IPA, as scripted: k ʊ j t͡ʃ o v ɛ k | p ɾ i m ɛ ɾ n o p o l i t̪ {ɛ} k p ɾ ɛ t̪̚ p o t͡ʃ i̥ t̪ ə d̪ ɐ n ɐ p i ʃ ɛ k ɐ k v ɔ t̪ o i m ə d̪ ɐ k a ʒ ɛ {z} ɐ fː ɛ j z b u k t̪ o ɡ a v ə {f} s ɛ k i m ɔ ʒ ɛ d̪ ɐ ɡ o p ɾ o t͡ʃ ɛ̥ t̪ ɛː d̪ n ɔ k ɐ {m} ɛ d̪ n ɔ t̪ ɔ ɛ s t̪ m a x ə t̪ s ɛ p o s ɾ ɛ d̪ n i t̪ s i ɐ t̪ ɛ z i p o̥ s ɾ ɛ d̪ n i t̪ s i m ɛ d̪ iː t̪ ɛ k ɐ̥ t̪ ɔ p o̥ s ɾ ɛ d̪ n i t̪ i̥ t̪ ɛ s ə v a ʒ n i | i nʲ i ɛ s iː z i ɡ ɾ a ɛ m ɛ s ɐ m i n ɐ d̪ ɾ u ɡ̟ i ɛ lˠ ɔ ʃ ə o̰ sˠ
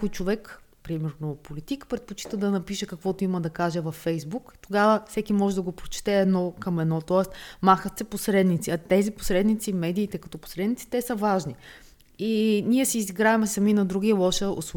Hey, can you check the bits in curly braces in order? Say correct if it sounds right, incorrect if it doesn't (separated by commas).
incorrect, incorrect, correct, correct